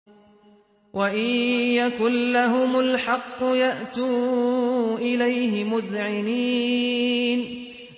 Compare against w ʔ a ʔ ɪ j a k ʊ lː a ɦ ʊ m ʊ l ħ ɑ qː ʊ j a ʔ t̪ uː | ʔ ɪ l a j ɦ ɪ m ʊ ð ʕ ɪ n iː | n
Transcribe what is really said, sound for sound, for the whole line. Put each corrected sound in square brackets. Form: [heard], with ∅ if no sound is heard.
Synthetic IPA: w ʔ a ʔ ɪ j a k ʊ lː a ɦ ʊ m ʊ l ħ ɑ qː ʊ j a ʔ t̪ uː | ʔ ɪ l a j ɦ ɪ m ʊ ð ʕ ɪ n iː | n